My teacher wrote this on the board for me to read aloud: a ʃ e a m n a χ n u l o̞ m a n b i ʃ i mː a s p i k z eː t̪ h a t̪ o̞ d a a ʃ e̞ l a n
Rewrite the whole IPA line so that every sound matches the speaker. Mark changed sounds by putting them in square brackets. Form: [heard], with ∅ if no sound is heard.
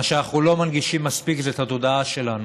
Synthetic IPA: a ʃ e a [∅] n a χ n u l o̞ m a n [ɡ] i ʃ i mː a s p i k z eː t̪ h a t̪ o̞ d a a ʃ e̞ l a n